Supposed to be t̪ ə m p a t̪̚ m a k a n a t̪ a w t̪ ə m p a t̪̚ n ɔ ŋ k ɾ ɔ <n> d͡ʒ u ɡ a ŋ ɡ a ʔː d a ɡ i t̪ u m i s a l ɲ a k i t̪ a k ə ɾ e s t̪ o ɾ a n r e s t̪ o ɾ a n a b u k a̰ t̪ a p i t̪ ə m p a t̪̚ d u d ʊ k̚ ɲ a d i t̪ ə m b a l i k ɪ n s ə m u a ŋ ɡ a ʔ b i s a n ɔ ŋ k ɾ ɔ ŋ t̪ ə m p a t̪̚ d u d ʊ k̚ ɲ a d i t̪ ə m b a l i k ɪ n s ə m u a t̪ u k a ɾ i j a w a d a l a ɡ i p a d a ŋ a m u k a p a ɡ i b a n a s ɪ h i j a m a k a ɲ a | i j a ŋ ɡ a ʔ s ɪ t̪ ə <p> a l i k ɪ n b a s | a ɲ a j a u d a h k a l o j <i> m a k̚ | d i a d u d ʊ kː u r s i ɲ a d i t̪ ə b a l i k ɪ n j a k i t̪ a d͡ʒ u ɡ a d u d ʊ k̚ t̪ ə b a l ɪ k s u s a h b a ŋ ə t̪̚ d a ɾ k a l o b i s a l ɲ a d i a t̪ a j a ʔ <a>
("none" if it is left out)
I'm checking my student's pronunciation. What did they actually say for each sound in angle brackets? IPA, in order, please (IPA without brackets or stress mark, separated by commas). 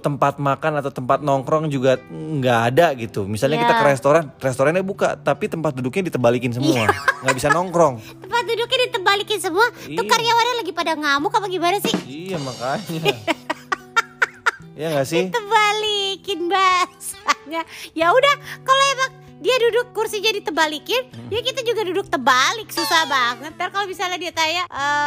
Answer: ŋ, b, a, ə